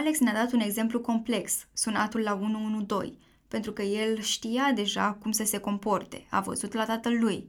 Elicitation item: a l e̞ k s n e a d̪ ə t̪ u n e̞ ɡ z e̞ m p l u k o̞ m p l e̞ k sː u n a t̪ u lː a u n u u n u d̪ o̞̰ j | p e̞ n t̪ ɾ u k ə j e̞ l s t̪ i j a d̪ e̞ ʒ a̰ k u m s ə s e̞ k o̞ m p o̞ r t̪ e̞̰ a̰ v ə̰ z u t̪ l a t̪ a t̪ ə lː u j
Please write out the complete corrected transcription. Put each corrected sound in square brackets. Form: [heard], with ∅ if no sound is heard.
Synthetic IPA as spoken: a l e̞ k s n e a d̪ [a] t̪ u n e̞ ɡ z e̞ m p l u k o̞ m p l e̞ k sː u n a t̪ u lː a u n u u n u d̪ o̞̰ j | p e̞ n t̪ ɾ u k ə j e̞ l [ʃ] t̪ i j a d̪ e̞ ʒ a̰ k u m s ə s e̞ k o̞ m p o̞ r t̪ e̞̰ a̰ v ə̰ z u t̪ l a t̪ a t̪ ə lː u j